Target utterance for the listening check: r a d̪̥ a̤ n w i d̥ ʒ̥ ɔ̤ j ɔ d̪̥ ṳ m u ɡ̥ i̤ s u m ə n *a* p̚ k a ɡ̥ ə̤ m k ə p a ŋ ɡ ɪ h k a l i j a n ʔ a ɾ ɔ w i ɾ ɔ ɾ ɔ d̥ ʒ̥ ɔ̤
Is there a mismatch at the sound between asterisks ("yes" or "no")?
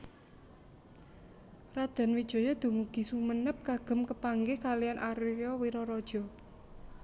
yes